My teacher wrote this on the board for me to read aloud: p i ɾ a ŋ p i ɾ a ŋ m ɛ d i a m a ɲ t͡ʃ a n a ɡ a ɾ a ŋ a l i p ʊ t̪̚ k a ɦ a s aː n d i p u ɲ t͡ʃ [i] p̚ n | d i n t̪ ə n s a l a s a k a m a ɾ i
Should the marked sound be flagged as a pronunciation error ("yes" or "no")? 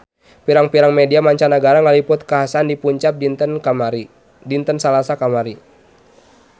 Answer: yes